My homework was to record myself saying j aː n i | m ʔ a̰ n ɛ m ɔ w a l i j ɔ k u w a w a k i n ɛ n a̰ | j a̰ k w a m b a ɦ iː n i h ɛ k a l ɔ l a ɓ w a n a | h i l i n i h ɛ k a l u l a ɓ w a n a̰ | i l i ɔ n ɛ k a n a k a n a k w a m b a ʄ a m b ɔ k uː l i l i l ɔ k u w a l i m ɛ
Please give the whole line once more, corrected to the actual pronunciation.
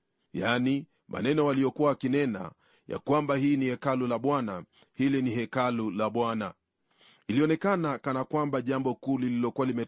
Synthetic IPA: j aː n i | m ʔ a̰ n ɛ n ɔ w a l i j ɔ k u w a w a k i n ɛ n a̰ | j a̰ k w a m b a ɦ iː n i h ɛ k a l u l a ɓ w a n a | h i l i n i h ɛ k a l u l a ɓ w a n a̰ | i l i ɔ n ɛ k a n a k a n a k w a m b a ʄ a m b ɔ k uː l i l i l ɔ k u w a l i m ɛ